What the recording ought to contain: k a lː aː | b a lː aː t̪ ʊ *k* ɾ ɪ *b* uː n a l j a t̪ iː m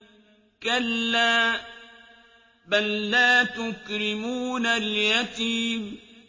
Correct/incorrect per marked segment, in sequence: correct, incorrect

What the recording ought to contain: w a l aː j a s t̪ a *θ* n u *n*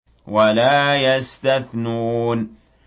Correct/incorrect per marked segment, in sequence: correct, correct

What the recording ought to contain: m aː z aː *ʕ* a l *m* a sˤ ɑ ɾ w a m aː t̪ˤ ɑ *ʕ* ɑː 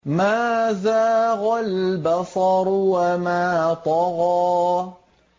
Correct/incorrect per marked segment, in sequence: incorrect, incorrect, incorrect

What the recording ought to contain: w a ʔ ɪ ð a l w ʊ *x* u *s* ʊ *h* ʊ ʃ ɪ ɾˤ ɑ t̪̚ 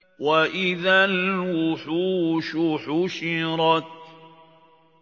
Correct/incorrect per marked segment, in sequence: incorrect, incorrect, incorrect

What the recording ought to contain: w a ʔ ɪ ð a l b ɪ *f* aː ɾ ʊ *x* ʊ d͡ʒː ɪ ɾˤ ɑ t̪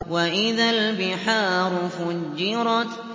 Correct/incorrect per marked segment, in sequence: incorrect, incorrect

